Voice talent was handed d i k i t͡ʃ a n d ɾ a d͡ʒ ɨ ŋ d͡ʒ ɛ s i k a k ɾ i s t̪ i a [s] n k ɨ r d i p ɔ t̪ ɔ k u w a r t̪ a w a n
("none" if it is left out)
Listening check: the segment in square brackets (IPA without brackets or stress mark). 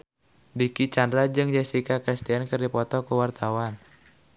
none